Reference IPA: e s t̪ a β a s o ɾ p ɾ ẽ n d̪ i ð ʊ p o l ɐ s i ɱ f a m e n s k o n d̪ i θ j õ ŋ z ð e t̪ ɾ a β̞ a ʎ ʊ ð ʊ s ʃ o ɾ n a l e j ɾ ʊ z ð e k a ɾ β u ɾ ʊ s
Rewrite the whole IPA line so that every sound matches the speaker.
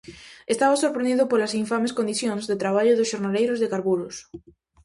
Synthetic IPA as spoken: e s t̪ a β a s o ɾ p ɾ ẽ n d̪ i ð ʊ p o l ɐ s i ɱ f a m e s k o n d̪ i θ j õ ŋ z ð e t̪ ɾ a β̞ a ʎ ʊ ð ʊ s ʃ o ɾ n a l e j ɾ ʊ z ð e k a ɾ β u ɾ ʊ s